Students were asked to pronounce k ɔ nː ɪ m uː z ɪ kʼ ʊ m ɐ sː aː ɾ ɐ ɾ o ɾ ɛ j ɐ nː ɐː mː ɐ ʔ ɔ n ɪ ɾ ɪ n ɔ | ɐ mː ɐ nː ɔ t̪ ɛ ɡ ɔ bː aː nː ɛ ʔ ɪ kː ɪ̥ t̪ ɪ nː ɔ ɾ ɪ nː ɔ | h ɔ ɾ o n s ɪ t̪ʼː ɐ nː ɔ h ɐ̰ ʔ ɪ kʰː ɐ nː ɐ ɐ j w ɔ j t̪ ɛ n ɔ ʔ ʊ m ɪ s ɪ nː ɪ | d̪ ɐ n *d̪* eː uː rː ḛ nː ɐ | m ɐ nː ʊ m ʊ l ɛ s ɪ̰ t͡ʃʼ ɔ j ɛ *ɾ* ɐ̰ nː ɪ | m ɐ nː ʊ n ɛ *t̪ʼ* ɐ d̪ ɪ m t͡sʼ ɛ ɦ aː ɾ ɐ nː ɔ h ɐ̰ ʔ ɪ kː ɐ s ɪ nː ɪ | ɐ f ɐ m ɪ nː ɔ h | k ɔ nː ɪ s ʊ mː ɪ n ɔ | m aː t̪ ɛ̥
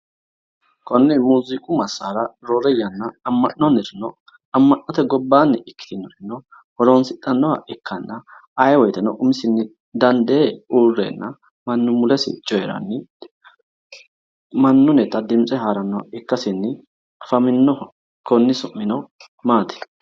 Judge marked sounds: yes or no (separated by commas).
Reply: yes, yes, no